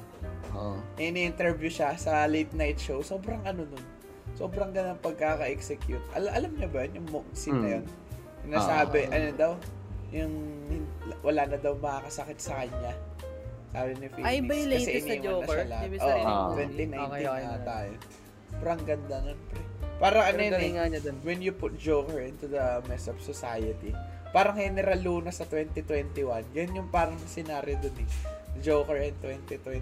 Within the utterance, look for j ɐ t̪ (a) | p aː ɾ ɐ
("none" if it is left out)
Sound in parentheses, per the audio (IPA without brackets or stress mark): i